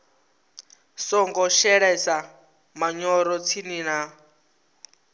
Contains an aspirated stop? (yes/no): yes